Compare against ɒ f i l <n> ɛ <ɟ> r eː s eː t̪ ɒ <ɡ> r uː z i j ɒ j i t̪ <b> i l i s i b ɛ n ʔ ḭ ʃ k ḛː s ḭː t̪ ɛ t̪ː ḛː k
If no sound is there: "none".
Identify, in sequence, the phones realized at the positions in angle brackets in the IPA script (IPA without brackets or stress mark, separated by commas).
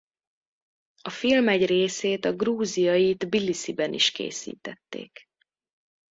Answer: m, ɟ, ɡ, b